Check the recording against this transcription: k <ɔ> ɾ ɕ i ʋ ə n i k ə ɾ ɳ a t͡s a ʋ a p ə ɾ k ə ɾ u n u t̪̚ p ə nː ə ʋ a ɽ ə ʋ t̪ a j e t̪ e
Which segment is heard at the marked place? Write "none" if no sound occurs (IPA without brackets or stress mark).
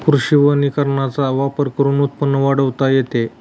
u